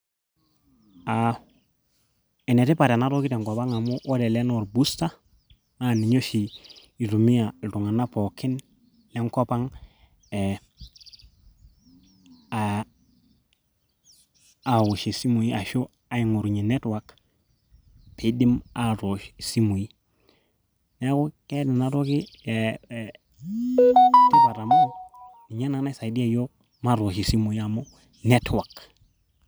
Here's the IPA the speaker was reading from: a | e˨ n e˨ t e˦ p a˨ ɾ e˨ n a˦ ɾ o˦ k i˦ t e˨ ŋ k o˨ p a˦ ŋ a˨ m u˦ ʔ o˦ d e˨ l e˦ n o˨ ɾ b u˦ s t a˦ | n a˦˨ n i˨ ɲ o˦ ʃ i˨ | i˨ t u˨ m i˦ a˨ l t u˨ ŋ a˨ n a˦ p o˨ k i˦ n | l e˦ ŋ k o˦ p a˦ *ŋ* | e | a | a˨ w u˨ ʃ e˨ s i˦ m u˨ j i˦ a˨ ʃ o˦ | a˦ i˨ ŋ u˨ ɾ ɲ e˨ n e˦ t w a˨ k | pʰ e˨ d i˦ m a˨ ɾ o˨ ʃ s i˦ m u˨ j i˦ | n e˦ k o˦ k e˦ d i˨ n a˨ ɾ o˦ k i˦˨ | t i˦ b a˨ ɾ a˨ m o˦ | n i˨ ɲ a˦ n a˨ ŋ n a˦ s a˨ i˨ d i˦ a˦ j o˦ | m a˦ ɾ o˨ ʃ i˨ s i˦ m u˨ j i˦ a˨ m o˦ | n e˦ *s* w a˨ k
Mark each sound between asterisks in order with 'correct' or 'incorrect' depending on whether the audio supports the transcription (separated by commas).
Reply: correct, incorrect